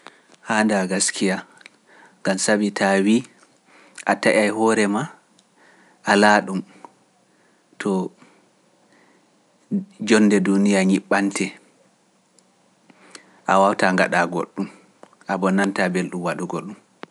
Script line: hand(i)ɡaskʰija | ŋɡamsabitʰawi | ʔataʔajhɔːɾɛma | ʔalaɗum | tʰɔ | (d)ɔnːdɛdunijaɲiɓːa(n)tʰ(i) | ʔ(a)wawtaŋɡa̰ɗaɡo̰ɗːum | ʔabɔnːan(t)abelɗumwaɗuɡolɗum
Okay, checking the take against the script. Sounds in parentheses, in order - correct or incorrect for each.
incorrect, incorrect, correct, incorrect, correct, correct

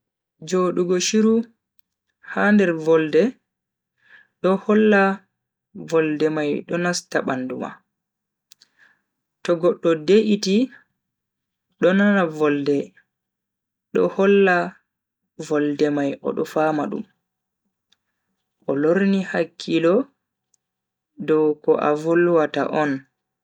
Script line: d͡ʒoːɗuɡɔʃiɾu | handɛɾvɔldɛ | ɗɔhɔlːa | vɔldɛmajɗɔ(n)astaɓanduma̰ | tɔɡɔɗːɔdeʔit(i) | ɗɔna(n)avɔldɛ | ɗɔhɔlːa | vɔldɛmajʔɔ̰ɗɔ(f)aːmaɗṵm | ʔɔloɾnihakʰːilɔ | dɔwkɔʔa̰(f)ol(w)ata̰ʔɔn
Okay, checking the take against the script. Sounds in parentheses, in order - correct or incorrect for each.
correct, correct, correct, correct, incorrect, correct

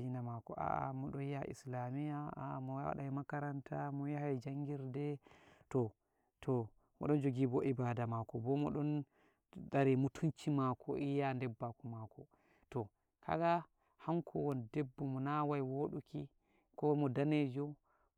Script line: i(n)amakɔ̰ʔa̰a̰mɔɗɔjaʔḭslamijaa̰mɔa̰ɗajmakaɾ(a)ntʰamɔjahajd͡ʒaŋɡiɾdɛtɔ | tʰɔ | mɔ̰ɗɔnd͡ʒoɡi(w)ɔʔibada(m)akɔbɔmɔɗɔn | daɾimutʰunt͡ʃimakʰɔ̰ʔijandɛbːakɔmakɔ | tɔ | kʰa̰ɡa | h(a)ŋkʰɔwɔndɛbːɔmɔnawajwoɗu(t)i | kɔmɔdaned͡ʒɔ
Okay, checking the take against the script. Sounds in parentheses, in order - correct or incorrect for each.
correct, correct, incorrect, correct, correct, incorrect

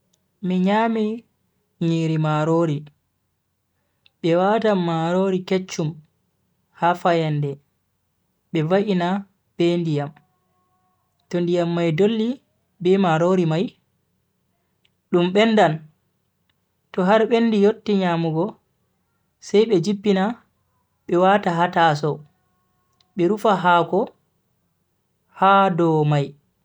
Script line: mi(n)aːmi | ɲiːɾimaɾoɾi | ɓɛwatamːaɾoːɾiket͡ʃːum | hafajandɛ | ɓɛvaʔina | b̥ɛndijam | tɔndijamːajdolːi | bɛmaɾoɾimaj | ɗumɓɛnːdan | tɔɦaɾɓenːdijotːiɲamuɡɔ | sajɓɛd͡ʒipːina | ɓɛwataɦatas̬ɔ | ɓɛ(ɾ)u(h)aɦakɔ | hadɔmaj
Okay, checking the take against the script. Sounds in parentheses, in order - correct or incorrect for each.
incorrect, correct, incorrect

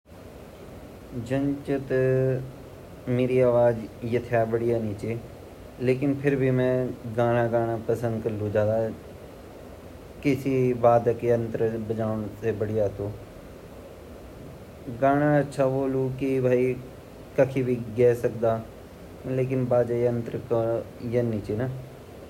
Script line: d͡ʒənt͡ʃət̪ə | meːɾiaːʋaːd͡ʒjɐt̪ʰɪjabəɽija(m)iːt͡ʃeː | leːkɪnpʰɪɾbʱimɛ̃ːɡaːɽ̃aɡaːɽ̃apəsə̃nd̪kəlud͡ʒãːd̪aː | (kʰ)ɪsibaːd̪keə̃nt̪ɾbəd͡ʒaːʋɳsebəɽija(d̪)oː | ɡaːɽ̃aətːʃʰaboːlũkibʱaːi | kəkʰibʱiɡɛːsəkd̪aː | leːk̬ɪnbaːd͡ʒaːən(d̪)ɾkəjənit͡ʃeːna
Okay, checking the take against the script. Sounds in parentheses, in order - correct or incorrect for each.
incorrect, incorrect, incorrect, incorrect

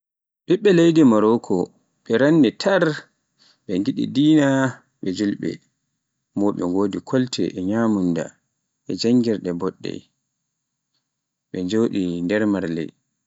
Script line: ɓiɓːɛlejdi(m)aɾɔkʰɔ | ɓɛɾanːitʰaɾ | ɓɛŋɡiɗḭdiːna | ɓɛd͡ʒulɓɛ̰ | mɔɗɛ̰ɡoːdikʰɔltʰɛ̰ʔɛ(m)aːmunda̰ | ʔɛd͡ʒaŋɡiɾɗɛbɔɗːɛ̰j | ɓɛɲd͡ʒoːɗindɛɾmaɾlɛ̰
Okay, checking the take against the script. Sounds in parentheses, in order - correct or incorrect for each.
correct, incorrect

